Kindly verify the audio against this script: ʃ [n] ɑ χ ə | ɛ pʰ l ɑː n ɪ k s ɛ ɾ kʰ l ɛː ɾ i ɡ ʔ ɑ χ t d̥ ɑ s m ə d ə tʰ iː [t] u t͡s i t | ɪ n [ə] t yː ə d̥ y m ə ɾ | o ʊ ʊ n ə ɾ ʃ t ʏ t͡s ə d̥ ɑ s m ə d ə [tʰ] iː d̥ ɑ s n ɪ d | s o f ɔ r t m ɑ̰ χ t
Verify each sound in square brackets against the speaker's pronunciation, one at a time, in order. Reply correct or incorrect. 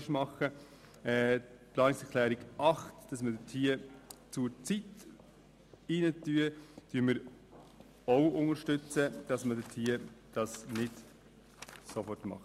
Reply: incorrect, incorrect, correct, correct

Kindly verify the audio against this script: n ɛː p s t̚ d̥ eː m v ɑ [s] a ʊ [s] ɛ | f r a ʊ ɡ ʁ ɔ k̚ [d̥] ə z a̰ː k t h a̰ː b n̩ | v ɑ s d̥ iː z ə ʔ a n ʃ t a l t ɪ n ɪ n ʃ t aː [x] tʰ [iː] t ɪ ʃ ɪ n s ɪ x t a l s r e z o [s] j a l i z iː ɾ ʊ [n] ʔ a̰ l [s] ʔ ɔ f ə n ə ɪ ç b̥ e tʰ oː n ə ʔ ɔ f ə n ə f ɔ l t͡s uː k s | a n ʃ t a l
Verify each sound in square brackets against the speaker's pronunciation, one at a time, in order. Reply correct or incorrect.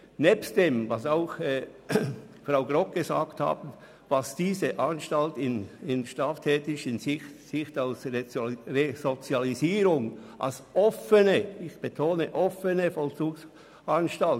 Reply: correct, incorrect, incorrect, incorrect, incorrect, incorrect, incorrect, correct

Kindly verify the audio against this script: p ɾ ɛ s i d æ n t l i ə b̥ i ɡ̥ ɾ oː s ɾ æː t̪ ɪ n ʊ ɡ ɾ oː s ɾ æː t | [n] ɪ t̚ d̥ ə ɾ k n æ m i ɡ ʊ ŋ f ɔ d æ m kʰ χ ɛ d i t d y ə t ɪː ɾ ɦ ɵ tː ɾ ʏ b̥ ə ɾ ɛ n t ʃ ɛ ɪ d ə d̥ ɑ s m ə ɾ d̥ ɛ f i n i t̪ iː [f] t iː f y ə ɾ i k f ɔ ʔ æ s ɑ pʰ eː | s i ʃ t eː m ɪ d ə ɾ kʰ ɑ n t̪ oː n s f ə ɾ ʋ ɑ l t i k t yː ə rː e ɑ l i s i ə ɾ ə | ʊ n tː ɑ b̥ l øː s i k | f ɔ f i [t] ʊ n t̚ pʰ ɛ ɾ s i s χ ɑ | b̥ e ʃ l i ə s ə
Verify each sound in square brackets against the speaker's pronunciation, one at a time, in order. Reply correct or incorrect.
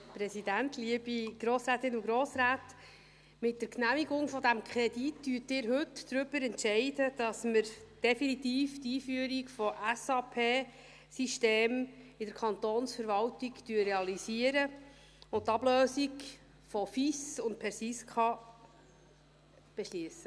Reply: incorrect, correct, incorrect

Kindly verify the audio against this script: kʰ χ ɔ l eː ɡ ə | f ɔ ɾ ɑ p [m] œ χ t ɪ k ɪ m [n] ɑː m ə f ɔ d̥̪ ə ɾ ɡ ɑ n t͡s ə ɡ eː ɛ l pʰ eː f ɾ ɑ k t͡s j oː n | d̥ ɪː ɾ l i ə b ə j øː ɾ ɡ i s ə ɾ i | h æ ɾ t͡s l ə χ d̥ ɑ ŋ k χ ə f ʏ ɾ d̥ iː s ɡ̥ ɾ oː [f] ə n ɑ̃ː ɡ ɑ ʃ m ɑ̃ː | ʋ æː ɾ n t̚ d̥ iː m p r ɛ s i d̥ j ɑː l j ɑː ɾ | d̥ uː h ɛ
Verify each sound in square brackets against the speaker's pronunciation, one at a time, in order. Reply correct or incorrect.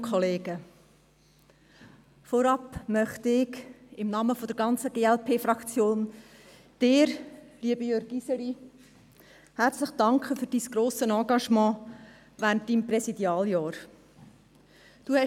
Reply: correct, correct, incorrect

